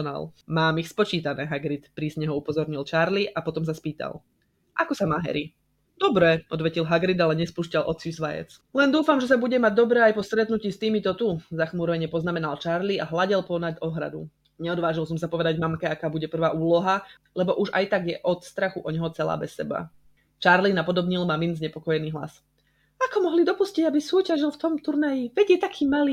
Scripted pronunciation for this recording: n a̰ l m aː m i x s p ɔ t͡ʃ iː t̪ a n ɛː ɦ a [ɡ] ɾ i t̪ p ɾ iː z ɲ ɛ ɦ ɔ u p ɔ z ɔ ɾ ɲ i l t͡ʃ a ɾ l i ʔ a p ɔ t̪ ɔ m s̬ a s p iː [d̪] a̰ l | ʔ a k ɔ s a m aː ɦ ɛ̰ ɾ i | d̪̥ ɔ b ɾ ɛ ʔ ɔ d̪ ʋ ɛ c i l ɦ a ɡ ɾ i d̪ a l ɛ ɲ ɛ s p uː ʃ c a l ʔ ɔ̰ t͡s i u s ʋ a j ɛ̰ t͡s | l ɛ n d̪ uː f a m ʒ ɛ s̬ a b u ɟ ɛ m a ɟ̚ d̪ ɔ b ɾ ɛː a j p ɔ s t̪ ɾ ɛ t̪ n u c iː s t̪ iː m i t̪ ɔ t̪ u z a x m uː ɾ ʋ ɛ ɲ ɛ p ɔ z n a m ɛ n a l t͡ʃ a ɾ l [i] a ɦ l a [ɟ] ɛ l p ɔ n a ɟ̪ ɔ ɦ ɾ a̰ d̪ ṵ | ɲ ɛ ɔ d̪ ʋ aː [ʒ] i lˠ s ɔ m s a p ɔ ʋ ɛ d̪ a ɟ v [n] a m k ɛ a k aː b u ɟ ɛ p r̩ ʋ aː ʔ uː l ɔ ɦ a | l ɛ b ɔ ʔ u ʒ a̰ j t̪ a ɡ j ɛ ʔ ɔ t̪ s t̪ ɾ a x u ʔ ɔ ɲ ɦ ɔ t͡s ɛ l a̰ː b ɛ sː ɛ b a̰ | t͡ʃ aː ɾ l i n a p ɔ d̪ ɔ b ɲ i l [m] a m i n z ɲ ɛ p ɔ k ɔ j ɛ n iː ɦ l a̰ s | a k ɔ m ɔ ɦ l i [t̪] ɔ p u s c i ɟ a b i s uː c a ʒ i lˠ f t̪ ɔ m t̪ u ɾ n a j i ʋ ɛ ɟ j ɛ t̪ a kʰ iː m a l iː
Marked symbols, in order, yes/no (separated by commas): yes, no, yes, yes, yes, no, yes, no